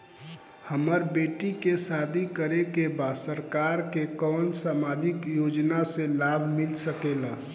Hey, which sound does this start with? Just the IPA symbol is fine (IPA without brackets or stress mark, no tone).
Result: h